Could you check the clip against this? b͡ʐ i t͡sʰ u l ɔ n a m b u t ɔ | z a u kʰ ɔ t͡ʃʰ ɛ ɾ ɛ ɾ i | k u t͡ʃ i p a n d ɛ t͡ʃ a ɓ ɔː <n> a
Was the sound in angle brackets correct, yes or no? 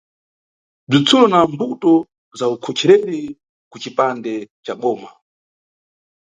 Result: no